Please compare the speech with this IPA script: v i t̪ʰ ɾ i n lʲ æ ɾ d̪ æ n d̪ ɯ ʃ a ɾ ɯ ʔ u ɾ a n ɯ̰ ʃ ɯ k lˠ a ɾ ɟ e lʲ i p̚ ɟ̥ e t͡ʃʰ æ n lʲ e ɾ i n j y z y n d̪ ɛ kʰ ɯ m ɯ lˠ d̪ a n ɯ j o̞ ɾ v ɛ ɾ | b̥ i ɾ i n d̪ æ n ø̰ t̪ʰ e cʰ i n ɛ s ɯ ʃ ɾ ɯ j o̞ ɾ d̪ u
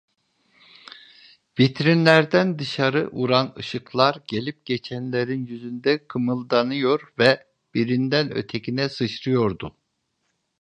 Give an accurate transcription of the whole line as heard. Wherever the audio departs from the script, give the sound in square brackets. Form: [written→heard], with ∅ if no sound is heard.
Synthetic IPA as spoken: v i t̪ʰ ɾ i n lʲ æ ɾ d̪ æ n d̪ ɯ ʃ a ɾ ɯ ʔ u ɾ a n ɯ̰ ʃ ɯ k lˠ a ɾ ɟ e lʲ i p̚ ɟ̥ e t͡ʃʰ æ n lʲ e ɾ i n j y z y n d̪ ɛ kʰ ɯ m ɯ lˠ d̪ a n ɯ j o̞ ɾ v ɛ [ɾ→∅] | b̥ i ɾ i n d̪ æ n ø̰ t̪ʰ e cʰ i n ɛ s ɯ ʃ ɾ ɯ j o̞ ɾ d̪ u